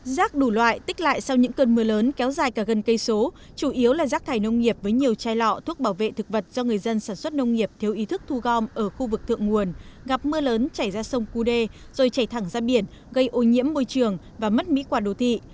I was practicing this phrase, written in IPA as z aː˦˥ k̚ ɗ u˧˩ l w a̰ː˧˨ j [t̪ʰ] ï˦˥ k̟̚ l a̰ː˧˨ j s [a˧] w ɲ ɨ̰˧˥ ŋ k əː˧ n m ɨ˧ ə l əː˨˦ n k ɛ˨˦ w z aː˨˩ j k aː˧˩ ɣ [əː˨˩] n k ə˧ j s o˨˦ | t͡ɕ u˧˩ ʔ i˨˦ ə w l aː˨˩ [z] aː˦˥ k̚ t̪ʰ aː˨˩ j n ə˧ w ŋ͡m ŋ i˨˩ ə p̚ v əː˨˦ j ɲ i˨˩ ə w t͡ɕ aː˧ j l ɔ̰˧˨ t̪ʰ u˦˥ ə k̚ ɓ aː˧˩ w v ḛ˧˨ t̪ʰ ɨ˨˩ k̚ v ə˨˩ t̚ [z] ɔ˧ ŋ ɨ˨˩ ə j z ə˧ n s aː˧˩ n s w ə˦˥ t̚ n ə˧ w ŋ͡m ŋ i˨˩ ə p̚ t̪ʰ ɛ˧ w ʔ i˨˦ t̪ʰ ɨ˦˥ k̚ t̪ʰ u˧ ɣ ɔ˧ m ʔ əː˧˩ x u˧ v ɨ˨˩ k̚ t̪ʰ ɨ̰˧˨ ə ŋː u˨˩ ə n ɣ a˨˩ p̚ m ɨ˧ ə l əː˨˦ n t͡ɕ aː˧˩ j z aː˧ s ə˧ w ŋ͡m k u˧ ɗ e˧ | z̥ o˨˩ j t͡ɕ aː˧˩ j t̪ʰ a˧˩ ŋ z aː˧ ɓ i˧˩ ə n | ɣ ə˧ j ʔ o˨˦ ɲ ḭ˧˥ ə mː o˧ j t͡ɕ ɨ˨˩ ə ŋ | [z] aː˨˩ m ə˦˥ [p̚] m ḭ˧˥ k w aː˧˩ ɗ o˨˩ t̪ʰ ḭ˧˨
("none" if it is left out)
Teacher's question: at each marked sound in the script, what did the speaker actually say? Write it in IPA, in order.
t̪, a˧, ə˨˩, z, z, v, t̚

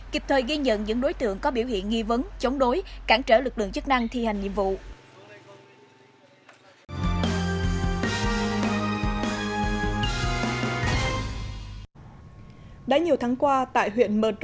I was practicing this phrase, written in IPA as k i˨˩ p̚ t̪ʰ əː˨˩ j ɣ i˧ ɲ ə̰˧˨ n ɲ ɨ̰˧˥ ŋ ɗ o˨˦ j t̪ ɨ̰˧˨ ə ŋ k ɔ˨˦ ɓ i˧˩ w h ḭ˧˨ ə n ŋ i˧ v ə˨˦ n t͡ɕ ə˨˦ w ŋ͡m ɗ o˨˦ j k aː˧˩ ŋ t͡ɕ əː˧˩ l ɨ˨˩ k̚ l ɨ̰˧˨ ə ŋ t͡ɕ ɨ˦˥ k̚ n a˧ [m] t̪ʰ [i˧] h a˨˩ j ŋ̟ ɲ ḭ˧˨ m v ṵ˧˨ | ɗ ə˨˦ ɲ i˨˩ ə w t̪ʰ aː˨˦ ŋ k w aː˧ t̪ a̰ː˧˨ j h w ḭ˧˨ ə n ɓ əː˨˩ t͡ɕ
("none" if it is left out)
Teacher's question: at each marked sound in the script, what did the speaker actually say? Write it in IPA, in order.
ŋ, i˧

